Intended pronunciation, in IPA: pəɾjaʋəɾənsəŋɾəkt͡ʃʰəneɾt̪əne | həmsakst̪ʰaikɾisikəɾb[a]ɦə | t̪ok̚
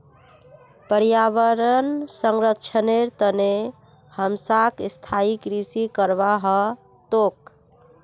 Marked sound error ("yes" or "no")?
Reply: no